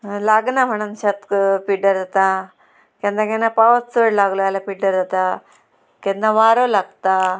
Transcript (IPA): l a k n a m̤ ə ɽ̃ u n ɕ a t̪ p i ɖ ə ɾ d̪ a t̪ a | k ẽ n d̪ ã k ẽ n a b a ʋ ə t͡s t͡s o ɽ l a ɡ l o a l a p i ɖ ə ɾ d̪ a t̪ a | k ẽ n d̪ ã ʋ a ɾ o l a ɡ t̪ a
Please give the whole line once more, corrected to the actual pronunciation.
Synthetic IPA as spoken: l a ɡ n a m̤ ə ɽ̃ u n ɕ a t̪ p i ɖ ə ɾ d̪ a t̪ a | k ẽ n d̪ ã k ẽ n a p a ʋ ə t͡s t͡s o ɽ l a ɡ l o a l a p i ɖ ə ɾ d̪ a t̪ a | k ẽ n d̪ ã ʋ a ɾ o l a ɡ t̪ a